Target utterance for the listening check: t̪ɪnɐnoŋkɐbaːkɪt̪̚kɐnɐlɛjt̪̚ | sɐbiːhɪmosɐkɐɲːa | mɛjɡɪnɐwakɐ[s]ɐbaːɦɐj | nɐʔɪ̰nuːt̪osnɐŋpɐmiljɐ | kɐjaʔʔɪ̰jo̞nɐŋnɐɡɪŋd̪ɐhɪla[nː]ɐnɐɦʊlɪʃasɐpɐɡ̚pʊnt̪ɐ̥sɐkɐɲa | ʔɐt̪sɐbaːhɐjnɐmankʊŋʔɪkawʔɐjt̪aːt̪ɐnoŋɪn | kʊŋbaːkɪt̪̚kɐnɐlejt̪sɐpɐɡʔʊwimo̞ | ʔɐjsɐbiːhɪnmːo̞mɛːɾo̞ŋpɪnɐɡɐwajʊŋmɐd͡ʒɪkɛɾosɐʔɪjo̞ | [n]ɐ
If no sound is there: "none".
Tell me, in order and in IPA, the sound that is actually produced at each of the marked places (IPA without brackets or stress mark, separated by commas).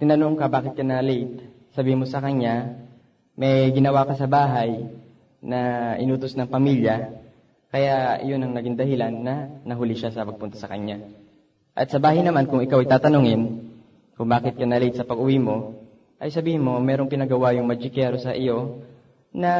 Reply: s, nː, n